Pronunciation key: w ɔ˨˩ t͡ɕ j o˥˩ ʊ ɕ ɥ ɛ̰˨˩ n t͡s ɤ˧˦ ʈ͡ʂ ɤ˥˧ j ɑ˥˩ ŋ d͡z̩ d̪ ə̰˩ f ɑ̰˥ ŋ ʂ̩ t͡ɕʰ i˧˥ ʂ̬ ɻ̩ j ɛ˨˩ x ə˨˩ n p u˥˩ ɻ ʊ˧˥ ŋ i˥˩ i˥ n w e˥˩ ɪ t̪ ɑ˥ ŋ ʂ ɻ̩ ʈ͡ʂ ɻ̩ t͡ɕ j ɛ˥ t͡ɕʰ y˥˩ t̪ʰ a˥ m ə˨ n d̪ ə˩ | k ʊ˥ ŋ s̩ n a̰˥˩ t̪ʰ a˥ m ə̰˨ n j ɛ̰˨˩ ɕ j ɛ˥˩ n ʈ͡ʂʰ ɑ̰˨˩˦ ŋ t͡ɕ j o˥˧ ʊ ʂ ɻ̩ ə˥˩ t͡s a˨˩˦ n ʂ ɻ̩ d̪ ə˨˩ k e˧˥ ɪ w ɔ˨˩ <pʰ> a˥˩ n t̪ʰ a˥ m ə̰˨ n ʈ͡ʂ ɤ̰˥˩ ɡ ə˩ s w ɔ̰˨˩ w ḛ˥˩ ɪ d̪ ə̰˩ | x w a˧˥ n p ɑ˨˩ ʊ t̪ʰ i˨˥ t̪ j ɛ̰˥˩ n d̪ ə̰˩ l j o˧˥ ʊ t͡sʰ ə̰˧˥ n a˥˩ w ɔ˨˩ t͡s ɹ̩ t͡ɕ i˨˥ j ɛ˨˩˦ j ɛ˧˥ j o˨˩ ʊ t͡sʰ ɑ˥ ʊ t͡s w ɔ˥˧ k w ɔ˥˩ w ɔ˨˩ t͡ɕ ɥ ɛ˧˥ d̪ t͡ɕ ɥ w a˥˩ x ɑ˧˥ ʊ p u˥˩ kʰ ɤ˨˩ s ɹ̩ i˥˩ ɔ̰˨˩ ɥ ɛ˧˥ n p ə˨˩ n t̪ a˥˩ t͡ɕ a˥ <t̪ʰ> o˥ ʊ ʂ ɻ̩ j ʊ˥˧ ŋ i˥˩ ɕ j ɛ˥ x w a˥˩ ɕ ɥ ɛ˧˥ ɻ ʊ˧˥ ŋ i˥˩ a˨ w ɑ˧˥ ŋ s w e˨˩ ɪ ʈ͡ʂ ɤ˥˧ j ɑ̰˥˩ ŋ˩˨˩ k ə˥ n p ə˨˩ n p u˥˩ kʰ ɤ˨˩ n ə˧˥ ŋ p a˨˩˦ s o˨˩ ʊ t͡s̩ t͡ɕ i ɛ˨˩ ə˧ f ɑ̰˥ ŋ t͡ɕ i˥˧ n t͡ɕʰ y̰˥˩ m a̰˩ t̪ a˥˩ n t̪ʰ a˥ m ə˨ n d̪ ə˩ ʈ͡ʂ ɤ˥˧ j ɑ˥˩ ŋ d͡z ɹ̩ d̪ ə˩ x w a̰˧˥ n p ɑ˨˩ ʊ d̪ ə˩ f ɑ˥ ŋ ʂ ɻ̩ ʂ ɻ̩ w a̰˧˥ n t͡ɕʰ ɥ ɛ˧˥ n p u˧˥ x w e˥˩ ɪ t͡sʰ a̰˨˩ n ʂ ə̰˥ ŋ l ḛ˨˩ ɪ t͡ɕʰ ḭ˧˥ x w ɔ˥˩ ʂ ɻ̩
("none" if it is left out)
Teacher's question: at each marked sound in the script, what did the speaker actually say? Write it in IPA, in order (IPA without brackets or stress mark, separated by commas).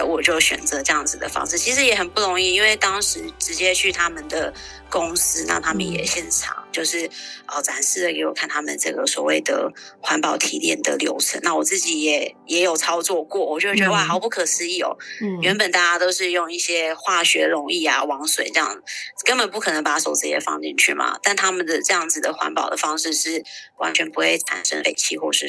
kʰ, t̪